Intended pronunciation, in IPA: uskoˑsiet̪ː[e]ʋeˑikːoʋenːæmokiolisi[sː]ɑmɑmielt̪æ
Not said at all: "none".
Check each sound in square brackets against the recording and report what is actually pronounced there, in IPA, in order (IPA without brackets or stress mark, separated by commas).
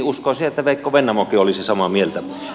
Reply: æ, s